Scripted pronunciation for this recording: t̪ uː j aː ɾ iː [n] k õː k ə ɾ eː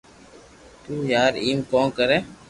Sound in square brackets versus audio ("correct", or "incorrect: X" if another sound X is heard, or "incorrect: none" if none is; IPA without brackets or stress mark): incorrect: m